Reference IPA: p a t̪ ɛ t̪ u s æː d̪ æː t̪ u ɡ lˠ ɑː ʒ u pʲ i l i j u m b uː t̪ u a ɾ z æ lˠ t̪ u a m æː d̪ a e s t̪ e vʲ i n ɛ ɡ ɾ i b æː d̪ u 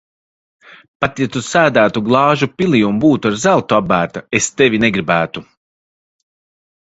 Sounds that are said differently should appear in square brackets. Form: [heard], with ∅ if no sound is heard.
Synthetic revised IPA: p a t̪ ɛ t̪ u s æː d̪ æː t̪ u ɡ lˠ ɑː ʒ u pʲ i l i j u m b uː t̪ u a ɾ z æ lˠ t̪ u a [b] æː [t̪] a e s t̪ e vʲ i n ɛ ɡ ɾ i b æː [t̪] u